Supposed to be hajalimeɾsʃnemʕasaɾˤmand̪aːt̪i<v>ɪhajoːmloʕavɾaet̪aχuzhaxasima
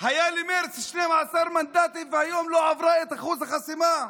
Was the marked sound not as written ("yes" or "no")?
no